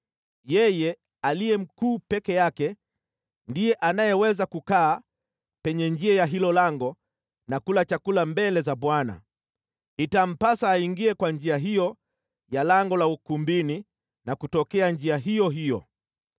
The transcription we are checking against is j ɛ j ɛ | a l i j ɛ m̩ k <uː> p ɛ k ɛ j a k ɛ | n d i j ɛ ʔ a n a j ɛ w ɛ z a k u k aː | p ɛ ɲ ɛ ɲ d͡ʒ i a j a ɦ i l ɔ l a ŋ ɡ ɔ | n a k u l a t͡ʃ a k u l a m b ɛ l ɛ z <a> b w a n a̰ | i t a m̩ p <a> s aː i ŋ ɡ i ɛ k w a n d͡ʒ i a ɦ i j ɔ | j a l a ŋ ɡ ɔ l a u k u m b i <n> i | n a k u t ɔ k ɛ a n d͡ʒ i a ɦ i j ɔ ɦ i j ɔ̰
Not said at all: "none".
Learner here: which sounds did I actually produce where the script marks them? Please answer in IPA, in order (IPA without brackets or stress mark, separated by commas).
uː, a, a, n